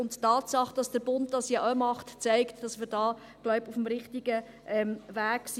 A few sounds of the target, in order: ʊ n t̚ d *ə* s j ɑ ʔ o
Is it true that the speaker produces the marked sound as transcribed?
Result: no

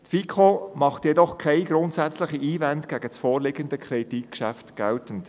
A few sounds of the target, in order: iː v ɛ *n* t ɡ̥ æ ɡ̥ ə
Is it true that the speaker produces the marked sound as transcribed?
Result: yes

